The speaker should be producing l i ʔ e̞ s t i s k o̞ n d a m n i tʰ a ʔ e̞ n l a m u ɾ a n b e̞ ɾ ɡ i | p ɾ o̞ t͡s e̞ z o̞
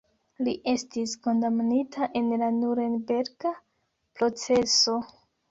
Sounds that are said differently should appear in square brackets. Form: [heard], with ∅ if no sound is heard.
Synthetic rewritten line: l i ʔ e̞ s t i s k o̞ n d a m n i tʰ a ʔ e̞ n l a [n] u ɾ [e] n b e̞ ɾ ɡ [a] | p ɾ o̞ t͡s e̞ [s] o̞